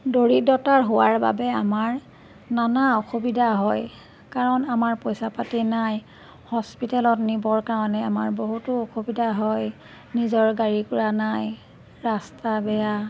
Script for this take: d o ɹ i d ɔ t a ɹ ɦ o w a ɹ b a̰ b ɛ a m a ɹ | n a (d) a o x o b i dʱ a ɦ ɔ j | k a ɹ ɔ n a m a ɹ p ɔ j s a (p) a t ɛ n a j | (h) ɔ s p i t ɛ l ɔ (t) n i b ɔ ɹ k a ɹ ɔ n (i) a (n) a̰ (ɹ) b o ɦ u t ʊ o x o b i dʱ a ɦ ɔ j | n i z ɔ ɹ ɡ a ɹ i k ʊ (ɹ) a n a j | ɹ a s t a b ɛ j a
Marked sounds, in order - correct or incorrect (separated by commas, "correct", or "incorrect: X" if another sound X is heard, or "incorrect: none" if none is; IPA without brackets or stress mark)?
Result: incorrect: n, correct, correct, correct, incorrect: ɛ, incorrect: m, correct, correct